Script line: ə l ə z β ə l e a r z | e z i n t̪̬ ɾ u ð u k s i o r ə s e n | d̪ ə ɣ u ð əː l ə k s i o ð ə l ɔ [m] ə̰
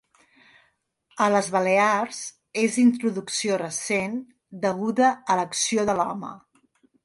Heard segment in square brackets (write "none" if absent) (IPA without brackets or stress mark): m